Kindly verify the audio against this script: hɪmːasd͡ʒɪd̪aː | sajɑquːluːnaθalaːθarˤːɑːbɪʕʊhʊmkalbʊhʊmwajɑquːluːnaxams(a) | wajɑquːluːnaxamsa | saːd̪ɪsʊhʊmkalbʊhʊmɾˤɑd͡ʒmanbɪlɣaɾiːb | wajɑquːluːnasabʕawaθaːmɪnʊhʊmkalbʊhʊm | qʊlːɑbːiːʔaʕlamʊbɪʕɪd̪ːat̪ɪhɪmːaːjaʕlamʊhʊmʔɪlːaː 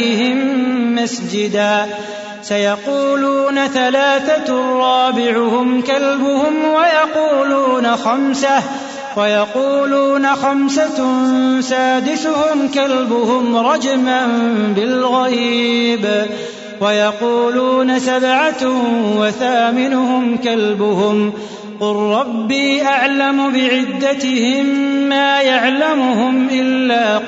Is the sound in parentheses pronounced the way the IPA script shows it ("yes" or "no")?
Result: yes